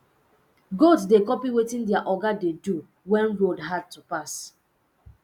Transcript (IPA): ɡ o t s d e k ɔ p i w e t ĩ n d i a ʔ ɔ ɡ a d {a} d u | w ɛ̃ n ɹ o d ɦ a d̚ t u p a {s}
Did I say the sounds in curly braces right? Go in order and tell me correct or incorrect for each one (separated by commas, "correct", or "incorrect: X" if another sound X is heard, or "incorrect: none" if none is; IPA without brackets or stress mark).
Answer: incorrect: e, correct